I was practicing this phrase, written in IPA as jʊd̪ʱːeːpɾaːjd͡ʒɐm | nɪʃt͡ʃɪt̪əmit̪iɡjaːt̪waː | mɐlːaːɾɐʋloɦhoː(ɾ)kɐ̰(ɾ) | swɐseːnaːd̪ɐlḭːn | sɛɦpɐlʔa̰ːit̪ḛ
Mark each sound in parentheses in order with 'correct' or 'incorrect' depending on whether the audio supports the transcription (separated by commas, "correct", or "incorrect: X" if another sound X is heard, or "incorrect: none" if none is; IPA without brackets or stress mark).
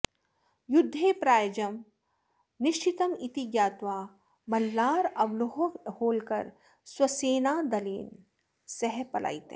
incorrect: l, correct